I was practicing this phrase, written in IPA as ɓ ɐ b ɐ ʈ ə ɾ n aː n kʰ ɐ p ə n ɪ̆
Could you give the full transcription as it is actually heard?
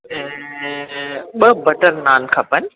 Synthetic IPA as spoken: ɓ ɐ b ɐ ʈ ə ɾ n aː n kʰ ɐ p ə n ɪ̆